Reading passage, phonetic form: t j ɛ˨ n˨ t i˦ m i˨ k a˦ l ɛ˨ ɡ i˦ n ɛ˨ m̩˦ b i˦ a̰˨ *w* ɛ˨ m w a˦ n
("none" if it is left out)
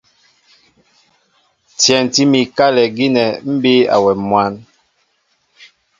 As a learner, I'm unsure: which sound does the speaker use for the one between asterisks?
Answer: w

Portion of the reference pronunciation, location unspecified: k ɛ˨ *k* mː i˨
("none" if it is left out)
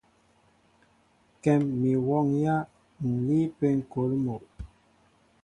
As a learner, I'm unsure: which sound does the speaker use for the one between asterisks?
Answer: none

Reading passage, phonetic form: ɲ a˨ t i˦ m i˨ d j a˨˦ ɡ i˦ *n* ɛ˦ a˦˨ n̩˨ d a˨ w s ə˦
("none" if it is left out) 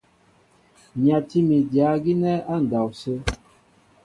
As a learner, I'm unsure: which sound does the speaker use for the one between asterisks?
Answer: n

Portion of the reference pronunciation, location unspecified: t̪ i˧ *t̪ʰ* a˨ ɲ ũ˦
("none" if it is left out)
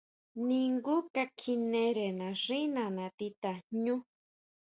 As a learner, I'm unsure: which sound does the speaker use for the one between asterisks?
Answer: t̪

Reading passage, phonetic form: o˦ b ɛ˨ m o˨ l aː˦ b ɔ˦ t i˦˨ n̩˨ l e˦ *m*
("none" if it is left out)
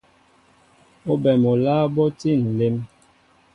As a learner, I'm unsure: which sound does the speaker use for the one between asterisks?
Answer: m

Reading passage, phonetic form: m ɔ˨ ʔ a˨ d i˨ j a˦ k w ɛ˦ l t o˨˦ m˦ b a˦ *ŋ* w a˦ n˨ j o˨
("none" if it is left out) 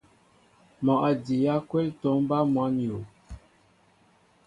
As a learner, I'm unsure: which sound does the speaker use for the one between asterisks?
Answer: m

